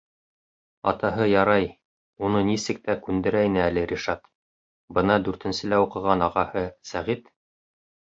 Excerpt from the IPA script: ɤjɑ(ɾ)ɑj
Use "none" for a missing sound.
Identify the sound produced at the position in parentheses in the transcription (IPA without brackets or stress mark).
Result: ɾ